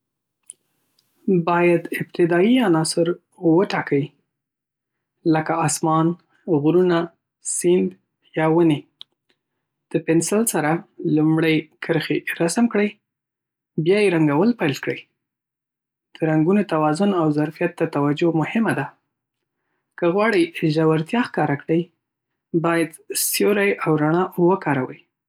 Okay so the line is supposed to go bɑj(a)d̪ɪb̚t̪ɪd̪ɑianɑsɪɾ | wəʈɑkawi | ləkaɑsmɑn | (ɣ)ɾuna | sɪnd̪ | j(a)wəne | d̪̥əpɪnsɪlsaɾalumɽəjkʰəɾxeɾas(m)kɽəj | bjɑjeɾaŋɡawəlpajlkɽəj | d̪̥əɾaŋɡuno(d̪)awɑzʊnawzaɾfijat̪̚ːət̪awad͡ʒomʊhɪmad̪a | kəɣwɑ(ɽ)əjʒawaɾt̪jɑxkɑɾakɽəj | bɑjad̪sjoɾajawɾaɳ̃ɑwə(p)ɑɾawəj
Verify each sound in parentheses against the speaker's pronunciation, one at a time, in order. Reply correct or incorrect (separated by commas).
correct, correct, incorrect, correct, incorrect, correct, incorrect